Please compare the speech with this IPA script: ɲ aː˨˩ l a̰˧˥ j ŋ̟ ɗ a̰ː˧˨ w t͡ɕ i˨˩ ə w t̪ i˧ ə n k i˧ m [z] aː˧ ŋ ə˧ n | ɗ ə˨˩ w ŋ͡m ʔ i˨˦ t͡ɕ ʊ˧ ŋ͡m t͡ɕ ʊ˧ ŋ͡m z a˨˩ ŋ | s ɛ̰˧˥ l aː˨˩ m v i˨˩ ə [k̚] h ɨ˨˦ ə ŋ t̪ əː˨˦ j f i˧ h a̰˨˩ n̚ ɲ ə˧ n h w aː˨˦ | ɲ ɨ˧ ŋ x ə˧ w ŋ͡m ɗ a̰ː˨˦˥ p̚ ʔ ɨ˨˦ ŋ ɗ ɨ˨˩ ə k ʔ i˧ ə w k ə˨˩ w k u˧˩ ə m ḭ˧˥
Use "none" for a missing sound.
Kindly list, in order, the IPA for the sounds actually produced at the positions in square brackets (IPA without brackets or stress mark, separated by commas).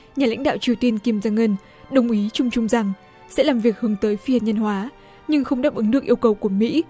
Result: z, k̚